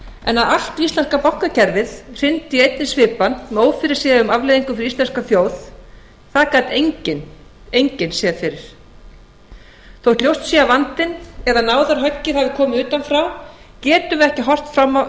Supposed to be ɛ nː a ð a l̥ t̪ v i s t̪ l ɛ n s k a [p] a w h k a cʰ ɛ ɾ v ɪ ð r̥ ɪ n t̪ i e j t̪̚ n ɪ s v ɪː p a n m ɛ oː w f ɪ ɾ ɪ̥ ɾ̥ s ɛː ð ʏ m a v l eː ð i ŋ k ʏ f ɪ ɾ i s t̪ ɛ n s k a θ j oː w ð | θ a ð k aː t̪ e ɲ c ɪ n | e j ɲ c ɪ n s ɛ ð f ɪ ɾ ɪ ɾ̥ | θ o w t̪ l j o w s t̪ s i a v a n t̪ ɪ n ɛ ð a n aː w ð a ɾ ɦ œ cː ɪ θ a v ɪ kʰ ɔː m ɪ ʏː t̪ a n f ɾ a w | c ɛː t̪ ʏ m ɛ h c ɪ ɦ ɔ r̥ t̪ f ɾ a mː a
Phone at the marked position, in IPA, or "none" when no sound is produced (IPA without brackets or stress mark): p